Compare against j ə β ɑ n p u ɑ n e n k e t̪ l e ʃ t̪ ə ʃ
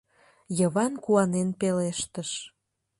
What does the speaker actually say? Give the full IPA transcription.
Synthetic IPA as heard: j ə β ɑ n k u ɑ n e n p e l e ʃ t̪ ə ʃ